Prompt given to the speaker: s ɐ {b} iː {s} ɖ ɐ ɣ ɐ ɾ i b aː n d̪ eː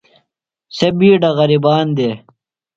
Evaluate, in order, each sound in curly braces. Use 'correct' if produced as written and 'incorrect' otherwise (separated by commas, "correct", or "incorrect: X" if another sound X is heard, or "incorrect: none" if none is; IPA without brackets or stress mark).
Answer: correct, incorrect: none